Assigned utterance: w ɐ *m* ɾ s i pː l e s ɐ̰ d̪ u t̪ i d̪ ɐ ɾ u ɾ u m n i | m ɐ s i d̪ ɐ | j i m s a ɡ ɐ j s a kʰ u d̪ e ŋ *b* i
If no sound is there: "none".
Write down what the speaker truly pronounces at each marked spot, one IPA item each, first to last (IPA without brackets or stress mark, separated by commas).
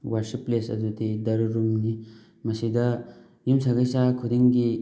none, ɡ